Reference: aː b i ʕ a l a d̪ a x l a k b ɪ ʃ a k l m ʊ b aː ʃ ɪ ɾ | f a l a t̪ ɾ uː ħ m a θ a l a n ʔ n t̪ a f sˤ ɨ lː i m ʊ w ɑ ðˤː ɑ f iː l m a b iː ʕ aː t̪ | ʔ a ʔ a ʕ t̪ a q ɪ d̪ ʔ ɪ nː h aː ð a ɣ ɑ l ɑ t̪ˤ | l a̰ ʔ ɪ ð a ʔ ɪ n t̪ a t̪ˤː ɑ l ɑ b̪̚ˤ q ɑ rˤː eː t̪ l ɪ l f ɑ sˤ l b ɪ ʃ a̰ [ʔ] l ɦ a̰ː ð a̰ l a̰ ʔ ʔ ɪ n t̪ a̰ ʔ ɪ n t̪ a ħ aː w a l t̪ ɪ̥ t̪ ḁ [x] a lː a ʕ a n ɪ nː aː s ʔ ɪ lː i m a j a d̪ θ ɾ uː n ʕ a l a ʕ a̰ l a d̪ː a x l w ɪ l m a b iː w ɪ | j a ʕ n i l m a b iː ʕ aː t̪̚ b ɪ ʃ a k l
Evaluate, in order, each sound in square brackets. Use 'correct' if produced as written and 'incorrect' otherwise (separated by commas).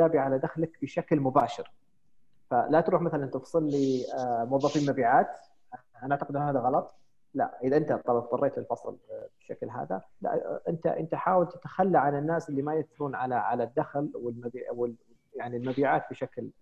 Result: incorrect, correct